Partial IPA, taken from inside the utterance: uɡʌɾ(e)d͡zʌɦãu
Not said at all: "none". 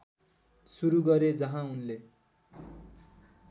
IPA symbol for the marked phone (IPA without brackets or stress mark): e